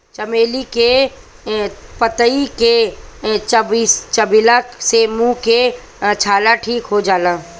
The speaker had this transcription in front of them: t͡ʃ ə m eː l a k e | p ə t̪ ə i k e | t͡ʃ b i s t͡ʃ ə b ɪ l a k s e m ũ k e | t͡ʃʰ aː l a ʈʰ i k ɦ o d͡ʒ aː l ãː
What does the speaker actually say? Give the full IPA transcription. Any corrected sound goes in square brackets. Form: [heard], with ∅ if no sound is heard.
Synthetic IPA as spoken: t͡ʃ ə m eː l [i] k e | p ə t̪ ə i k e | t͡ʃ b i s t͡ʃ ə b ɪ l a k s e m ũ k e | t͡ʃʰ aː l a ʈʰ [iː] k ɦ o d͡ʒ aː l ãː